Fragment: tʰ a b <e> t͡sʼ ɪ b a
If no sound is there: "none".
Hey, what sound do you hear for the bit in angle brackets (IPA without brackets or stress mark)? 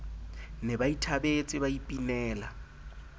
e